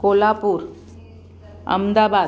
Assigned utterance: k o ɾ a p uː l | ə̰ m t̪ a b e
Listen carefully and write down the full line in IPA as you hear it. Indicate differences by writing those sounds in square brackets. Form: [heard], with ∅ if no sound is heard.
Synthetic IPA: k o [l] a p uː [ɾ] | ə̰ m [d̪] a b [a]